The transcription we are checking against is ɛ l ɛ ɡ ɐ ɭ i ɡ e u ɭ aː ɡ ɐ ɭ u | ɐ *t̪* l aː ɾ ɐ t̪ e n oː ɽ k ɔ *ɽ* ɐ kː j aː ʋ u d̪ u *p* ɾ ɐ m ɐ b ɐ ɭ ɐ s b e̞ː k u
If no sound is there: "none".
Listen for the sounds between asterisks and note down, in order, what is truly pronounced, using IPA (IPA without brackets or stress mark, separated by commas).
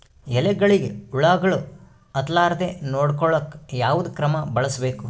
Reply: t̪, ɭ, k